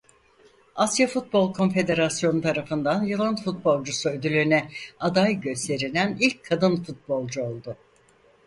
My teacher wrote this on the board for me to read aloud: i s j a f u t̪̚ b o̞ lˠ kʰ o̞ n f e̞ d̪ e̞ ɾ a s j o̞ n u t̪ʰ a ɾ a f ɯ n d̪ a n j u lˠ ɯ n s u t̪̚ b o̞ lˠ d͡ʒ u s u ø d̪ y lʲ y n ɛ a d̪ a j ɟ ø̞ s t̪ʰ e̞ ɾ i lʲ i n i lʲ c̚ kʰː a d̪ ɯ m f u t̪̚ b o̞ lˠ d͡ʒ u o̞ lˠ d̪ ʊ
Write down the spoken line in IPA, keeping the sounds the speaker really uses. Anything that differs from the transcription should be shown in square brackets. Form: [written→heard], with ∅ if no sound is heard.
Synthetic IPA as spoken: [i→a] s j a f u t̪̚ b o̞ lˠ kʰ o̞ n f e̞ d̪ e̞ ɾ a s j o̞ n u t̪ʰ a ɾ a f ɯ n d̪ a n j [u→ɯ] lˠ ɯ n [s→f] u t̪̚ b o̞ lˠ d͡ʒ u s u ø d̪ y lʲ y n ɛ a d̪ a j ɟ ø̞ s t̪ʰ e̞ ɾ i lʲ [i→æ] n i lʲ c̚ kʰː a d̪ ɯ [m→n] f u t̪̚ b o̞ lˠ d͡ʒ u o̞ lˠ d̪ ʊ